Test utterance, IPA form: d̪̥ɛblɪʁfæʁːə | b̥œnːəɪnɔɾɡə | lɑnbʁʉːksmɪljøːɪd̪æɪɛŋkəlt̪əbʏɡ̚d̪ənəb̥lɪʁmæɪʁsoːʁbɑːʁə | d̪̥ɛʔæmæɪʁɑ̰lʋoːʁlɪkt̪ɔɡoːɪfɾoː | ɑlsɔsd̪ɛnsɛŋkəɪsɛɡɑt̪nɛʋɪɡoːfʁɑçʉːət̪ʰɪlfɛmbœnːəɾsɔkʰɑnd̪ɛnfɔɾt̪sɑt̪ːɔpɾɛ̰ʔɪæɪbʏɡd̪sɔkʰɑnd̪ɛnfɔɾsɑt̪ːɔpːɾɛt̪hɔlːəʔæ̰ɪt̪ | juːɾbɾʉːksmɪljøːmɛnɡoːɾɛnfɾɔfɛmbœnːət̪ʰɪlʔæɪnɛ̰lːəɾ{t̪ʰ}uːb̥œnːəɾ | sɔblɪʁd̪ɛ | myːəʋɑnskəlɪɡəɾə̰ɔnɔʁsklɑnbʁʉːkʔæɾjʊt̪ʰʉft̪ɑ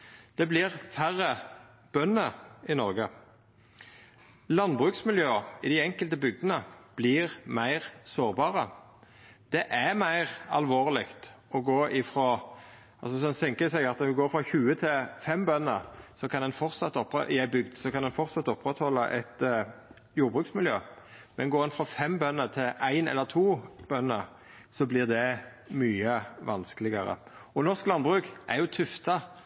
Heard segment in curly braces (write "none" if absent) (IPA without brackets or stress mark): t̪ʰ